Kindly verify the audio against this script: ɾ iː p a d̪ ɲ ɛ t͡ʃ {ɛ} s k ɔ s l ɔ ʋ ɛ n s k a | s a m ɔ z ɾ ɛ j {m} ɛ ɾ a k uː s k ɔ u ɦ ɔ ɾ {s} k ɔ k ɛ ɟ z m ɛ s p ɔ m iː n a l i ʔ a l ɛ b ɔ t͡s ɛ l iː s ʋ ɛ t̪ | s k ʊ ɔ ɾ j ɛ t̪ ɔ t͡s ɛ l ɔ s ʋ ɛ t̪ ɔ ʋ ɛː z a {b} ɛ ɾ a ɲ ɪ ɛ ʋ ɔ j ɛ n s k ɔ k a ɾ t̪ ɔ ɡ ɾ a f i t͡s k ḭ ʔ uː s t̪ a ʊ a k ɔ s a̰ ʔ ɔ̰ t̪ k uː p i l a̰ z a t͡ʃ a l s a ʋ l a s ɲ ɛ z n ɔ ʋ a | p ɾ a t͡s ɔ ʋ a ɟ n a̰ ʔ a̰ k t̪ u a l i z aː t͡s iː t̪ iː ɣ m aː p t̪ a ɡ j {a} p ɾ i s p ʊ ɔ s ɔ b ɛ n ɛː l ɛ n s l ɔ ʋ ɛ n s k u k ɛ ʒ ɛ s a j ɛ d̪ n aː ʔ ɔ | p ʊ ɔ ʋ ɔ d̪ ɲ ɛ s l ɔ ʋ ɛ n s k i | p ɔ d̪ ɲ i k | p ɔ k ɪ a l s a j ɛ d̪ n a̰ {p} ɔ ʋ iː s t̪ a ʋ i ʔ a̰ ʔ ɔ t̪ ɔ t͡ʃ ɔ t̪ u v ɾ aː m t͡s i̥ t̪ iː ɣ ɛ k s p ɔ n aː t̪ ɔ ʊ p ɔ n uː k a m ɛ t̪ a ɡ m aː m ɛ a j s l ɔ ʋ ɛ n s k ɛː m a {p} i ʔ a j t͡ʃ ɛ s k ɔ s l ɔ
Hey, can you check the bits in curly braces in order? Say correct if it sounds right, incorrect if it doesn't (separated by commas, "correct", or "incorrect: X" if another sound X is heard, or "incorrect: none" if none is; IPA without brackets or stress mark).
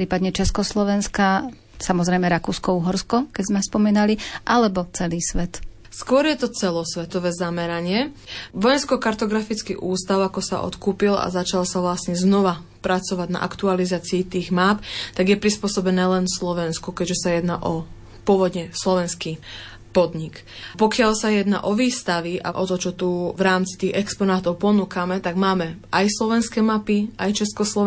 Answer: correct, correct, correct, incorrect: m, incorrect: ɛ, incorrect: ʔ, correct